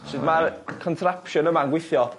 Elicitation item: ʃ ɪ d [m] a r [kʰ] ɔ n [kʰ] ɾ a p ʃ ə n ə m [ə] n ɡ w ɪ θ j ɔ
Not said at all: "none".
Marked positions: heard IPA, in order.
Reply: m, kʰ, tʰ, a

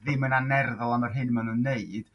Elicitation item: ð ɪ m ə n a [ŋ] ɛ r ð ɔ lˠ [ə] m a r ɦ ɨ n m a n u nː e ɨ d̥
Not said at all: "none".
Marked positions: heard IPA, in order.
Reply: n, a

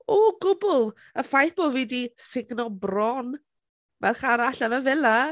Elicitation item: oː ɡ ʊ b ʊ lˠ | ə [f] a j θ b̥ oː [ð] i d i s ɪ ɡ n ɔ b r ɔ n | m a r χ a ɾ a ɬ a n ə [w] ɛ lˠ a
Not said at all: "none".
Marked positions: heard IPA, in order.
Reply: f, v, v

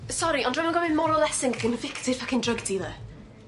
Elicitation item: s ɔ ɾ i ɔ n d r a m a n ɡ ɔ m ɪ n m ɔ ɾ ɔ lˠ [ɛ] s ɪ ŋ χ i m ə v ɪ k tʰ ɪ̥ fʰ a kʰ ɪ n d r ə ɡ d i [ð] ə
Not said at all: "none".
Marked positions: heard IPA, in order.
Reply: ɛ, ð

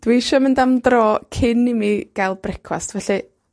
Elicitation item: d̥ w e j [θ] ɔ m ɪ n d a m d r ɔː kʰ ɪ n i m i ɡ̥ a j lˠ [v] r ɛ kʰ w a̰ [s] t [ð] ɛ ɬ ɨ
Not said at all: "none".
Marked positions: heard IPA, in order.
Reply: ʃ, b, s, v

